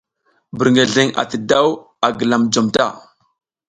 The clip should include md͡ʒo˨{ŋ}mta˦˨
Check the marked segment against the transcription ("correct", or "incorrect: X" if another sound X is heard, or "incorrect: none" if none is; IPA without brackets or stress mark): incorrect: none